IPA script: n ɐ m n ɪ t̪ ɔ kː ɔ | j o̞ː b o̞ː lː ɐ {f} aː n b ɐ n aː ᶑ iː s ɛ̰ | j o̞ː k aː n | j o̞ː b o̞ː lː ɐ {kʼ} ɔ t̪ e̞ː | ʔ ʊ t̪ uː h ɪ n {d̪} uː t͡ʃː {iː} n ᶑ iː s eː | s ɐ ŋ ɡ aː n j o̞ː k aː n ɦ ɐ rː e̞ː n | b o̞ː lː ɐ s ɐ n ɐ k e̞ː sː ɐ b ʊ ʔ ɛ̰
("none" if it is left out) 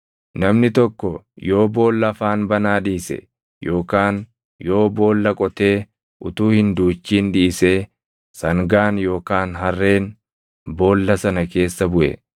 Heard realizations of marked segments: f, kʼ, d̪, iː

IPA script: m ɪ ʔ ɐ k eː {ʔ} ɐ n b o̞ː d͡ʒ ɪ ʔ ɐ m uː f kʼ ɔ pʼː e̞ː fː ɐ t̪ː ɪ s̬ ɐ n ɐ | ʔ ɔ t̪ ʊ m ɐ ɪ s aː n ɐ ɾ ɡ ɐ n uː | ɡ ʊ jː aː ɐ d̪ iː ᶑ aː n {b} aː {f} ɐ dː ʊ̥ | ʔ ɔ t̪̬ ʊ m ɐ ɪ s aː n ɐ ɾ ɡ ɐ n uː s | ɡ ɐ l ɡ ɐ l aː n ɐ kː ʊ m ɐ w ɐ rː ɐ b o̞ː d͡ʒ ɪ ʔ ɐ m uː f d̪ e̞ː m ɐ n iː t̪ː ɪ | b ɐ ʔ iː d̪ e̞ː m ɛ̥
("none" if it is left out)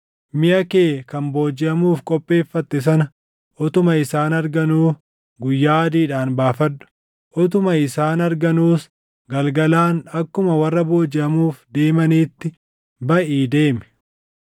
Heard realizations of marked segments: k, b, f

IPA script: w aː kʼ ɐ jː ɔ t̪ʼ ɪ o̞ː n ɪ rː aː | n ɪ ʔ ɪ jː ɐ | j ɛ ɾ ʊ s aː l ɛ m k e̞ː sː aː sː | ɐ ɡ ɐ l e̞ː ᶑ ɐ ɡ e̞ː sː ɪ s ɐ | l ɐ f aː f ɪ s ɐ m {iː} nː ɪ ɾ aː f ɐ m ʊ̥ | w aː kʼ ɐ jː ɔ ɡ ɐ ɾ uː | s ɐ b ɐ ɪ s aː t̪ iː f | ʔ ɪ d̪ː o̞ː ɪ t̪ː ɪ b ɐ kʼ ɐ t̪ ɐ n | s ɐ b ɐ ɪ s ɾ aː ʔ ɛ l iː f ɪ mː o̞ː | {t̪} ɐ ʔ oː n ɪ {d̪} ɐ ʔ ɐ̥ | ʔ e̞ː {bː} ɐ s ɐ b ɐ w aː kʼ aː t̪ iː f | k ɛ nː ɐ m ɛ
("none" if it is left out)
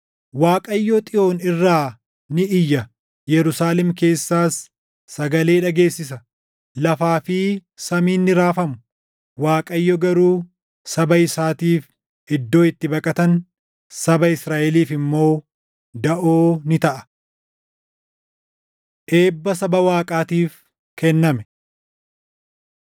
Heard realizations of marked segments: iː, d̪, t̪, bː

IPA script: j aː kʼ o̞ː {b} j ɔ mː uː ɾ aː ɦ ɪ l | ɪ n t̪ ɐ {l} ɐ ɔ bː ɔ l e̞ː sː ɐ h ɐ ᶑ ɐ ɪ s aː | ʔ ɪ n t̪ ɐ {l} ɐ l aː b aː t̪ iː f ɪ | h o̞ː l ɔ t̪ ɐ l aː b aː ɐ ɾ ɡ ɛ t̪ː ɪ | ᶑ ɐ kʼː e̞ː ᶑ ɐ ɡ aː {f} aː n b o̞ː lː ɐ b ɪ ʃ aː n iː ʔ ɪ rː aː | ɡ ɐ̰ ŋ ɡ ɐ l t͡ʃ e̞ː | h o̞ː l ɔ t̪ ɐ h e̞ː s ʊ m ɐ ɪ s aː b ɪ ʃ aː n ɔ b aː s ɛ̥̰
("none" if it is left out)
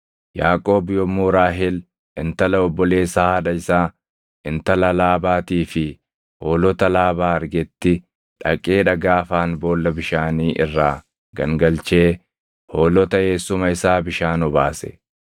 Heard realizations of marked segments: b, l, l, f

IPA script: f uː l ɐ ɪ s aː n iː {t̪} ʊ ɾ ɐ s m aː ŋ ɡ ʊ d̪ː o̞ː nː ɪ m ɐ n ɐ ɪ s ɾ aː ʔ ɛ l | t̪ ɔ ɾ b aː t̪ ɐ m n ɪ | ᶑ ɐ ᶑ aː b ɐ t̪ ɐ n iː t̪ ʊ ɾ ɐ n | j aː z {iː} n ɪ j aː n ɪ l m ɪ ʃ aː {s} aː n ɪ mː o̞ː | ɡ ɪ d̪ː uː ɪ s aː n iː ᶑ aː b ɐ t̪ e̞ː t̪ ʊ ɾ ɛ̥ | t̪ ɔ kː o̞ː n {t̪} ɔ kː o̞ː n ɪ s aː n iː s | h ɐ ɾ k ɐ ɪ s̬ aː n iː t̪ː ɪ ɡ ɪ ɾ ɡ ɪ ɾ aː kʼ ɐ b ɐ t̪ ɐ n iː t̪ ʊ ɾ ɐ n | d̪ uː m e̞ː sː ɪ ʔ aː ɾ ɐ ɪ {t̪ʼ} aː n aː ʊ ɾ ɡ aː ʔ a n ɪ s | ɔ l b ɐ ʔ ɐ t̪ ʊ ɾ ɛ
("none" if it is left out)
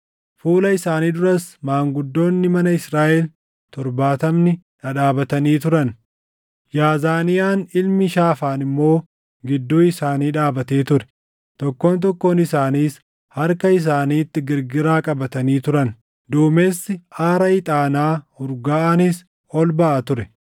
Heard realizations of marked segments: d̪, aː, f, t̪, t̪ʼ

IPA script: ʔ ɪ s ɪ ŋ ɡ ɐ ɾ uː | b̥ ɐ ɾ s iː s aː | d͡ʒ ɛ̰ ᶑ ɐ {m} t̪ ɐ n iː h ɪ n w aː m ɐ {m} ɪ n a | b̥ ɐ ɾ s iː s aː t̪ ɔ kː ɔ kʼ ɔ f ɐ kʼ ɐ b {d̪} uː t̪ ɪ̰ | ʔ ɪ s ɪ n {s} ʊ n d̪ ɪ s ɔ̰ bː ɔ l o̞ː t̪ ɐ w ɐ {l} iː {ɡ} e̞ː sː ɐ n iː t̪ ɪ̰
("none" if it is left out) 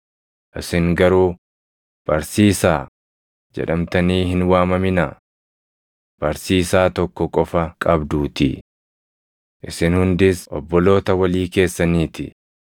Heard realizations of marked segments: m, m, d̪, h, l, k

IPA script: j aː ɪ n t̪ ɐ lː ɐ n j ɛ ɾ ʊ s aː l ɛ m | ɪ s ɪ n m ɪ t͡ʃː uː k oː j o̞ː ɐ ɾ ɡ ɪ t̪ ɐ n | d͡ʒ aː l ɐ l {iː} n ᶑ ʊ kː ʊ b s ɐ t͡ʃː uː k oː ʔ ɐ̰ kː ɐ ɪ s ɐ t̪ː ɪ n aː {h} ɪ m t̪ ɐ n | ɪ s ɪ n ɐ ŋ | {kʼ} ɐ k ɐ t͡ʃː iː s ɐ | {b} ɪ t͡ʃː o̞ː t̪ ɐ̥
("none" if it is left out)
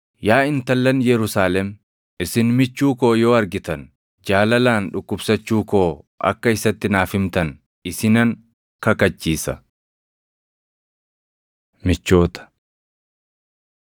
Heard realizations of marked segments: aː, f, k, m

